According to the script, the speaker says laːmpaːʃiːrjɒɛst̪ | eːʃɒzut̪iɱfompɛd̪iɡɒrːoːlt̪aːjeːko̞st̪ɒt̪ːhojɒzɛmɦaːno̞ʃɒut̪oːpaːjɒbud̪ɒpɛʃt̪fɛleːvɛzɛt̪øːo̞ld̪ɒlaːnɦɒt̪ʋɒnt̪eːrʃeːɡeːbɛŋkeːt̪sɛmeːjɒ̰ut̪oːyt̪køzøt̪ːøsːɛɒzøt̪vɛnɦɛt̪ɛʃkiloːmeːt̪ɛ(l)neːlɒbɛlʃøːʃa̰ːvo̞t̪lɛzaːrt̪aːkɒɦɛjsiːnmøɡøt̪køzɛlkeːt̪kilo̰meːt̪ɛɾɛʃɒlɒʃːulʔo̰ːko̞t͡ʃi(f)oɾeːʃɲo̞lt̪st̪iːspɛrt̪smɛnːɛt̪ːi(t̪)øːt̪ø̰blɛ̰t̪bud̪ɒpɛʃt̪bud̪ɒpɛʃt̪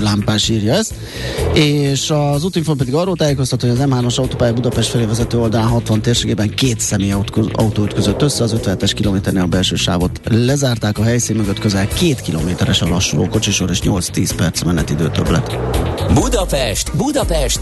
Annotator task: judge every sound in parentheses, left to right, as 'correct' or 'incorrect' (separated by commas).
incorrect, incorrect, incorrect